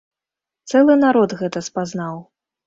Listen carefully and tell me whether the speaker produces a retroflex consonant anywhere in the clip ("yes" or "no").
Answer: no